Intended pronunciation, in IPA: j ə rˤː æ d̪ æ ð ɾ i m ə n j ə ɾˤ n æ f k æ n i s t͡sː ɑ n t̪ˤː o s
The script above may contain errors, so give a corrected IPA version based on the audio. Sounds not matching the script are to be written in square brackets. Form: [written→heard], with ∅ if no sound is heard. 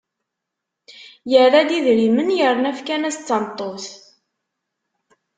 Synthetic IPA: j ə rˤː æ d̪ [æ→i] ð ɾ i m ə n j ə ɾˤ n æ f k æ n [i→æ] s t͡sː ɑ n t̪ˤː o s